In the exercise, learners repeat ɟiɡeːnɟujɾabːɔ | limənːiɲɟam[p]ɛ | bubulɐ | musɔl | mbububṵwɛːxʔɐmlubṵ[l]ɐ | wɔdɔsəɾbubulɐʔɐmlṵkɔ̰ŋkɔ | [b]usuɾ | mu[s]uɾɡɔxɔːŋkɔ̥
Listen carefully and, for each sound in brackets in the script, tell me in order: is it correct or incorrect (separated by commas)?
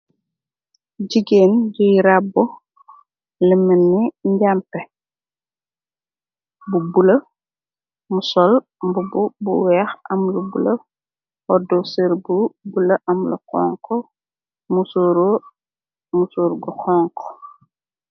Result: correct, correct, incorrect, correct